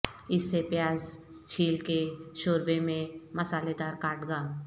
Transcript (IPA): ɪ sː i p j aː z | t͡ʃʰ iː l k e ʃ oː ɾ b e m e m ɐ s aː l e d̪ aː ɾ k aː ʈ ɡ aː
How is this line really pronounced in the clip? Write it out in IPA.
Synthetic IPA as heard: ɪ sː e p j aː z | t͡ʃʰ iː l k e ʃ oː ɾ b e m ẽ m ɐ s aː l e d̪ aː ɾ k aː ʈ ɡ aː